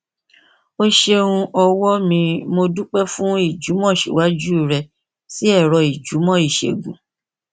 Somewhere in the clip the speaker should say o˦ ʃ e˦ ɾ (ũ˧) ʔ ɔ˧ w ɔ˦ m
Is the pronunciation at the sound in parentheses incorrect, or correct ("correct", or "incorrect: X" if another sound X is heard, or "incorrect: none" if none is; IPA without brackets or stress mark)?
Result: correct